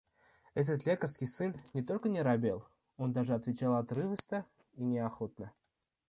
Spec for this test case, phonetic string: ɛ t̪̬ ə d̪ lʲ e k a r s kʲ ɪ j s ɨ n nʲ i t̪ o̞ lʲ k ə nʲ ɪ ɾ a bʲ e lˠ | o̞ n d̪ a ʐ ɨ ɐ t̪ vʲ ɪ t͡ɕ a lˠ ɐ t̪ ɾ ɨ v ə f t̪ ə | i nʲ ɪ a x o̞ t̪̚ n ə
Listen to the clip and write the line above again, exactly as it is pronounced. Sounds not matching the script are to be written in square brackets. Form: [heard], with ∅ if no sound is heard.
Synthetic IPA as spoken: ɛ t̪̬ ə [t̪] lʲ e k [ə] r s kʲ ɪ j s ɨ n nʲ [ɪ] t̪ o̞ lʲ k ə nʲ ɪ ɾ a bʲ e lˠ | o̞ n d̪ a ʐ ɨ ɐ t̪ vʲ ɪ t͡ɕ a lˠ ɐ t̪ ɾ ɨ v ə [s] t̪ ə | i nʲ ɪ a x o̞ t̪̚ n ə